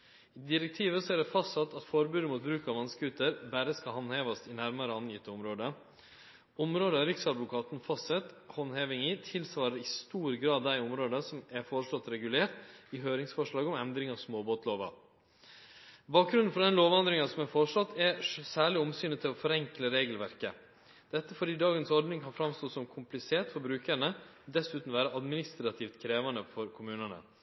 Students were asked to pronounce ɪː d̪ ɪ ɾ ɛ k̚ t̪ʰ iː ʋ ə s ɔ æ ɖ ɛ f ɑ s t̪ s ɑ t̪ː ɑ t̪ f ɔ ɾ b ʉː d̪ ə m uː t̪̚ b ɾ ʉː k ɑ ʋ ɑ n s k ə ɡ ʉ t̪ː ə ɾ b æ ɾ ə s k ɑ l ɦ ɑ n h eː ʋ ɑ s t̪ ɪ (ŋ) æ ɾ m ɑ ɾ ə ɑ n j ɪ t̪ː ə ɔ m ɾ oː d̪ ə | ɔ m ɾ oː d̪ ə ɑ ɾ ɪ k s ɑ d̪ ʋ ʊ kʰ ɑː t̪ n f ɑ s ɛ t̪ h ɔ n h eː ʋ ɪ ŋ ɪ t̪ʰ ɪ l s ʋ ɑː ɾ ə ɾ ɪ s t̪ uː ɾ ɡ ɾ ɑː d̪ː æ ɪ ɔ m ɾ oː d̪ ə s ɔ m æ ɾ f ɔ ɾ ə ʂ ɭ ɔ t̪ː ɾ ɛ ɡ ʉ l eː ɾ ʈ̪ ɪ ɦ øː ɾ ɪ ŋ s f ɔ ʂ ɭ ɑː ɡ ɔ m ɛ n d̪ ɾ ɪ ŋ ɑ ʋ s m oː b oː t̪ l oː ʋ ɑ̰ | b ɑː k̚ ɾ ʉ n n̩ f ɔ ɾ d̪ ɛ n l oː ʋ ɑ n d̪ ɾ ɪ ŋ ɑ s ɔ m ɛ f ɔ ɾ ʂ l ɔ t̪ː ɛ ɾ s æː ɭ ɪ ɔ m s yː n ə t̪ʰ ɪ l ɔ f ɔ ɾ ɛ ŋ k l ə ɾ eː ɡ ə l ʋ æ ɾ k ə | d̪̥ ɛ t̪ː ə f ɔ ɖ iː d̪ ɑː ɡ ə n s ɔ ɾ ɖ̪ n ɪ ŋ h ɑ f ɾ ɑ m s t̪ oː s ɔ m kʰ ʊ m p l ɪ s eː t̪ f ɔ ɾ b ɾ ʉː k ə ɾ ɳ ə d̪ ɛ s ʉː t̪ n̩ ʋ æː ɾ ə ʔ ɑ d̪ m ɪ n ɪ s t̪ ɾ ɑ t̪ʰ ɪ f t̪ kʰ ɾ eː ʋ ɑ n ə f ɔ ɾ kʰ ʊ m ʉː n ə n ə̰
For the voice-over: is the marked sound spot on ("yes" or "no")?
no